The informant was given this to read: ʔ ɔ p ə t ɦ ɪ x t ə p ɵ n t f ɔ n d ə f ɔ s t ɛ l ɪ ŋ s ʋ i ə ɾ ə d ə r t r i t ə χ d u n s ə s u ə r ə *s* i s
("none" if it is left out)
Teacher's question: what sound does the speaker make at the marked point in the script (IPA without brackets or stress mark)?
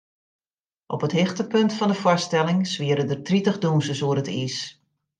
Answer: t